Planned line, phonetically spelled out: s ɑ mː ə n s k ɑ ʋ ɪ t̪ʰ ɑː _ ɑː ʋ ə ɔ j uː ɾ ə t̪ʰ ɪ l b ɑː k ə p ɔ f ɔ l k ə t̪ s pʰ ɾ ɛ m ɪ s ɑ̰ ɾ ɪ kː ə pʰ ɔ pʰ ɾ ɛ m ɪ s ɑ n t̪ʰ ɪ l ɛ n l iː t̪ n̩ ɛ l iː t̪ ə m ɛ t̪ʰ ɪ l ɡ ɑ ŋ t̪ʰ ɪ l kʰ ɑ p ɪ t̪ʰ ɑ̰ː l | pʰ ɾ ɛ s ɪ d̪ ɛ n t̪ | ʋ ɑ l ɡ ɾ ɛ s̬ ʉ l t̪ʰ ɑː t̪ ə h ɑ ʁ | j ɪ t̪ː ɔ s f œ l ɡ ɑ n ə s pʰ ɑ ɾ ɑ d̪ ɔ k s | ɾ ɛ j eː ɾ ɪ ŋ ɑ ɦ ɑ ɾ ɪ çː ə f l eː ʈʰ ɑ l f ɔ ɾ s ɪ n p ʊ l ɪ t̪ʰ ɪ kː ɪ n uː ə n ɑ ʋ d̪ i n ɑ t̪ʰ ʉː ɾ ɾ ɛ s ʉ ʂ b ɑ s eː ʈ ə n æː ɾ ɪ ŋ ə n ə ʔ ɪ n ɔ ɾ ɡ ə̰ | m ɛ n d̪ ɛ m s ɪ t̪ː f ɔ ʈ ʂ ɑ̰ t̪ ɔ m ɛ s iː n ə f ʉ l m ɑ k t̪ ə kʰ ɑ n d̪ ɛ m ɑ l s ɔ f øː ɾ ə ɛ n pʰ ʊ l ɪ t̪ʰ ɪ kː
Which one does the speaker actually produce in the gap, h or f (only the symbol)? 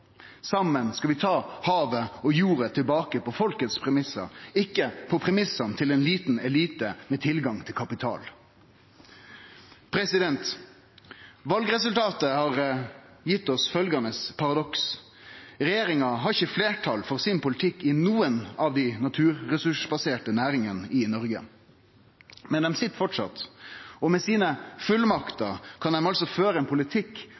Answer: h